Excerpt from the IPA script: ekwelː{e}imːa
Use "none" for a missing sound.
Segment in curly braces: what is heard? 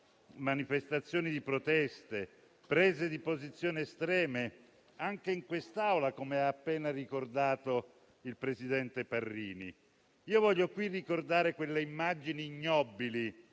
e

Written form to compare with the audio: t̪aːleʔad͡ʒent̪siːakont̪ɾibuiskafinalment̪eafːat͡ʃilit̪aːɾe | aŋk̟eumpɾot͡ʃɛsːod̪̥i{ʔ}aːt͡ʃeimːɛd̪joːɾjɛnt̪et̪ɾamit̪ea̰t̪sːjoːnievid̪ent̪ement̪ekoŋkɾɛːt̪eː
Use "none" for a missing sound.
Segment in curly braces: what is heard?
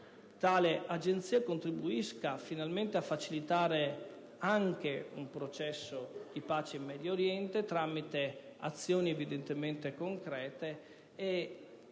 p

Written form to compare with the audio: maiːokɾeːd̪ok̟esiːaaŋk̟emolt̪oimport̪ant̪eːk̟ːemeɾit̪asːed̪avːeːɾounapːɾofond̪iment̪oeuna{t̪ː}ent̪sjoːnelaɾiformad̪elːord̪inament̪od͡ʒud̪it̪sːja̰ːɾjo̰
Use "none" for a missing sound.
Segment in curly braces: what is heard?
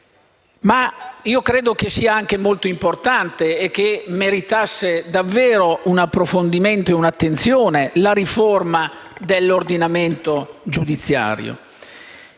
t̪ː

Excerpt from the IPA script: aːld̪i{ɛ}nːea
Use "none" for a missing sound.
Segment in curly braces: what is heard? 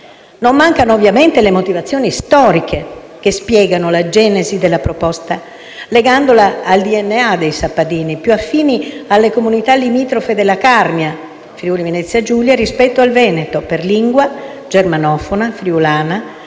ɛ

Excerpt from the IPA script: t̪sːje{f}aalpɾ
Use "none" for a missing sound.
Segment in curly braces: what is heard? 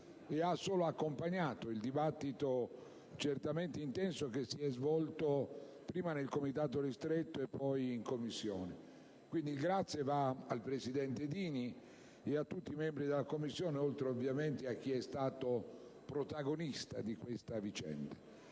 v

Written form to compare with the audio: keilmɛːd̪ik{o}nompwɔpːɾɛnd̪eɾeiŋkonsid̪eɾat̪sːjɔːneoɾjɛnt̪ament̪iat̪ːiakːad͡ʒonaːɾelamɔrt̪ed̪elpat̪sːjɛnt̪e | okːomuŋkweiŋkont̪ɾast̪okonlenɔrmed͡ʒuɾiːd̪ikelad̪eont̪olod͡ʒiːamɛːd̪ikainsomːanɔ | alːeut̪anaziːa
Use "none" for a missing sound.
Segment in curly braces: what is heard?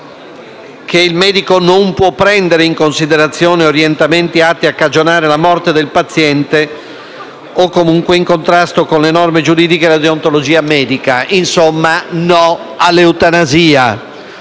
o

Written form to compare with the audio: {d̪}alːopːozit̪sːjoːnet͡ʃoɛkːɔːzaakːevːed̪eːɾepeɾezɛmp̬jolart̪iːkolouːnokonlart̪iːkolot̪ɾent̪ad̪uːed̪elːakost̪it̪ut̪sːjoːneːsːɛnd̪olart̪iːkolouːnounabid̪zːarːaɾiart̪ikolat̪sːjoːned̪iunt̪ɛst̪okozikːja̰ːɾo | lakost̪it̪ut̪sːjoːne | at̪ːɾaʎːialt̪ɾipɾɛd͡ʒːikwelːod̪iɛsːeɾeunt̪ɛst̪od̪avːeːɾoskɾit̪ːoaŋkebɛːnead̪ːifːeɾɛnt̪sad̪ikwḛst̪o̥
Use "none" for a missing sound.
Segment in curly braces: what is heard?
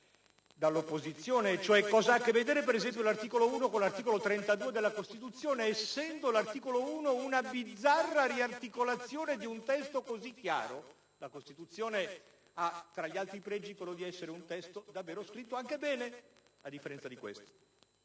d̪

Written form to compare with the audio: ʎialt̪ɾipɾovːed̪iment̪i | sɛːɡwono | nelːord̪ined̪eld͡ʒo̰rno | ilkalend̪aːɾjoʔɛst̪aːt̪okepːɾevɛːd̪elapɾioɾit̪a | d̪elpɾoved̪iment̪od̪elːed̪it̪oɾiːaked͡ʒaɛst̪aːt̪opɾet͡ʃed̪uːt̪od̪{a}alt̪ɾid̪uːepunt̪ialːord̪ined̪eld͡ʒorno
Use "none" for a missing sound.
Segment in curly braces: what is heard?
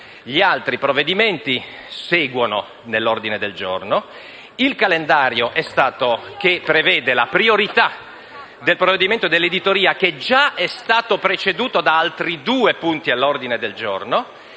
a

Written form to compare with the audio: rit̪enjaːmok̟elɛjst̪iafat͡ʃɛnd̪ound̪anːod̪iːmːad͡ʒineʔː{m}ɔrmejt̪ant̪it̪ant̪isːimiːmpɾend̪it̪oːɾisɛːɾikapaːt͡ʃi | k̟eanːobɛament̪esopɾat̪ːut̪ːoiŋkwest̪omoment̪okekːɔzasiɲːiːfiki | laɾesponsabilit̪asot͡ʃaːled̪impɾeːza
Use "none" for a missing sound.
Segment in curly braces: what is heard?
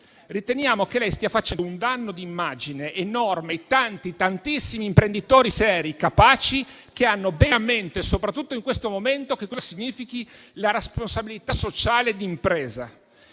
n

